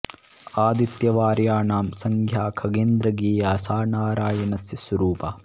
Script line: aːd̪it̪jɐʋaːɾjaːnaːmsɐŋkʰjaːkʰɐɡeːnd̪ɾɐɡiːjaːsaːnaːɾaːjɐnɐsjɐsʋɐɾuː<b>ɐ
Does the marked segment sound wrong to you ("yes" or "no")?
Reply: yes